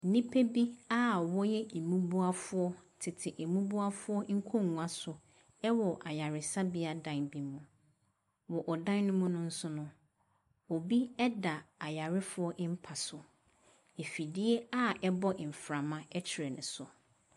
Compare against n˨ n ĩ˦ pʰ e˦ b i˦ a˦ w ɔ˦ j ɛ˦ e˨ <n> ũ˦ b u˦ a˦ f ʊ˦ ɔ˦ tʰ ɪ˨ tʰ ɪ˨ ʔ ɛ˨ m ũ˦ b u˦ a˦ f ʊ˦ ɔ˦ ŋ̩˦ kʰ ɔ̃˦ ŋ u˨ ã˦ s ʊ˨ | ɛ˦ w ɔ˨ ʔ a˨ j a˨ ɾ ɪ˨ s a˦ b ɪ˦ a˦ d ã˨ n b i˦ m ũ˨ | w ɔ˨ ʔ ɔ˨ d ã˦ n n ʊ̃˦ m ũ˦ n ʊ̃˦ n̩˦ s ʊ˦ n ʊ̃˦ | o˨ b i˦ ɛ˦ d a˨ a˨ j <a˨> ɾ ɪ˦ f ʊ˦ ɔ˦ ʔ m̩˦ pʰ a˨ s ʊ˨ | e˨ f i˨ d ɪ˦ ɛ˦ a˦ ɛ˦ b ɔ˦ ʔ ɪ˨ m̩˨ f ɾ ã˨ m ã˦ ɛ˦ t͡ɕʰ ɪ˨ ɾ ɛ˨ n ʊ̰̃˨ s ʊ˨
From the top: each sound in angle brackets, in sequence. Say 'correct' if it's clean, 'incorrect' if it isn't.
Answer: incorrect: m, correct

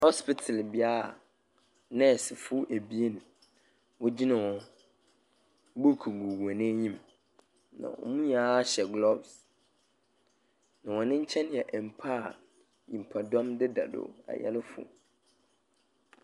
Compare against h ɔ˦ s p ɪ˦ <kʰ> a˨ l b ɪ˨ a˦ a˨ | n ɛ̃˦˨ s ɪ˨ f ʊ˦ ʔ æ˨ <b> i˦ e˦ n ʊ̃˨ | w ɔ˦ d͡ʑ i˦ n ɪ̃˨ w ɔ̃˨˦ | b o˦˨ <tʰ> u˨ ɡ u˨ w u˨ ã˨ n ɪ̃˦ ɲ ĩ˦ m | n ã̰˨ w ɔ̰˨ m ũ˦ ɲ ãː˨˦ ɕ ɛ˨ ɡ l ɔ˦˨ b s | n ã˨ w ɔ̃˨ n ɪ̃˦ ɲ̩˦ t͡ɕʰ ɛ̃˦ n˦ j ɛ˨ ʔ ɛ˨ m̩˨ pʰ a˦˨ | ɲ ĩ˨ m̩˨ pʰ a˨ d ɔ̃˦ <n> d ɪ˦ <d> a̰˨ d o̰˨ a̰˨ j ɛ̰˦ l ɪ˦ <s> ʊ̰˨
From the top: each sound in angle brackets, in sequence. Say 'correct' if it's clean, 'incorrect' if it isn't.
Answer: incorrect: tʰ, correct, incorrect: kʰ, incorrect: m, correct, incorrect: f

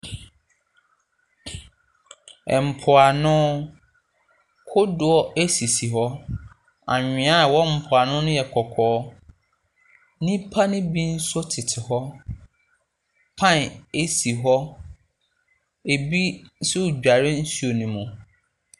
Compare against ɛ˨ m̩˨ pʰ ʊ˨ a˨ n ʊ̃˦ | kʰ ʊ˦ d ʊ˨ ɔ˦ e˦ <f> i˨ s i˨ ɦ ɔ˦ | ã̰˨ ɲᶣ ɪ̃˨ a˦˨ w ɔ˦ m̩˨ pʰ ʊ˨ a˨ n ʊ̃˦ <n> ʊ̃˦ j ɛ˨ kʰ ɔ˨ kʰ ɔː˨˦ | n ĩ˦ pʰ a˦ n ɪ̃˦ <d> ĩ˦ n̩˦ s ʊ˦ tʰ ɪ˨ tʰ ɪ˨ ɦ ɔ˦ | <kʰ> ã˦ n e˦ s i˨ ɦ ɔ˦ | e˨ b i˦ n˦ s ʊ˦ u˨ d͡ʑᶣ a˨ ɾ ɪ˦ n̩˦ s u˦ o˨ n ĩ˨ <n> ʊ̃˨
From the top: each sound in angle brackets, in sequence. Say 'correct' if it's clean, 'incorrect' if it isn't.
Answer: incorrect: s, correct, incorrect: b, incorrect: pʰ, incorrect: m

